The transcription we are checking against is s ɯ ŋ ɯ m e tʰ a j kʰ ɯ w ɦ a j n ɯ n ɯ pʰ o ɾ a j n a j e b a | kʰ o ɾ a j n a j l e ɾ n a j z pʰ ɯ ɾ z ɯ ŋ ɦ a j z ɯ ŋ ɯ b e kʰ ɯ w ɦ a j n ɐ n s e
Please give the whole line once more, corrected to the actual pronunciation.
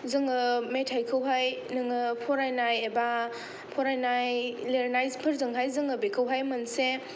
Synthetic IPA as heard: z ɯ ŋ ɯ m e tʰ a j kʰ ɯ w ɦ a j n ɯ ŋ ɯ pʰ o ɾ a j n a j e b a | pʰ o ɾ a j n a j l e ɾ n a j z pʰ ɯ ɾ z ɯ ŋ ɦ a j z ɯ ŋ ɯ b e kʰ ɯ w ɦ a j m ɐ n s e